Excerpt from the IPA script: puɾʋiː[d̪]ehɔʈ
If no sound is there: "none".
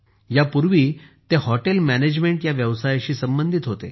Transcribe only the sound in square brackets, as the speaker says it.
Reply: t̪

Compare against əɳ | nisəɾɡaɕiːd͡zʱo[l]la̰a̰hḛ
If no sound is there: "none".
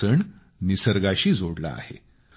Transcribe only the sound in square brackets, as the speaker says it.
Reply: ɽ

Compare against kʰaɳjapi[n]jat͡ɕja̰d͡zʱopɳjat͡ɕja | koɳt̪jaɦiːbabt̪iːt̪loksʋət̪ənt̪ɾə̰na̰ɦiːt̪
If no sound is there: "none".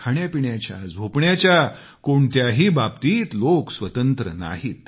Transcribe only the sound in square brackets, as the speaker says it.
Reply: ɳ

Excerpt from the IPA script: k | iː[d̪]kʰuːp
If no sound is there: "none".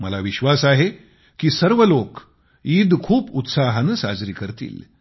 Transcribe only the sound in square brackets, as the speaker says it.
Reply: d̪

